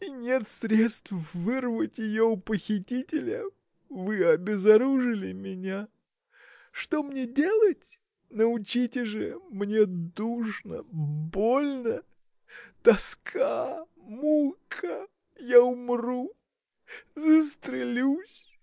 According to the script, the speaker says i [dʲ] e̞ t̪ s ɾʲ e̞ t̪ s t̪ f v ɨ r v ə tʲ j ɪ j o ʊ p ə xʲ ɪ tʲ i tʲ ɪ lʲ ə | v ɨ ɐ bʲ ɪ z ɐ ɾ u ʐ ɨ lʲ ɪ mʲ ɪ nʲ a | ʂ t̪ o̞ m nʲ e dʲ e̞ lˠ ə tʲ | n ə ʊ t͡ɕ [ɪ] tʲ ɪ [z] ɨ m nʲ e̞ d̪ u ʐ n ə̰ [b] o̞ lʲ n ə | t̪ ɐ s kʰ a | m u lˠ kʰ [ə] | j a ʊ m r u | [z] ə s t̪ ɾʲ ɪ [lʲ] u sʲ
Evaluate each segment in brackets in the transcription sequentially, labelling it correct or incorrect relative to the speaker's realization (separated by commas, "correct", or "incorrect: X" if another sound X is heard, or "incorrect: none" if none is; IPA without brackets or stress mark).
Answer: incorrect: nʲ, incorrect: i, incorrect: ʐ, correct, correct, correct, correct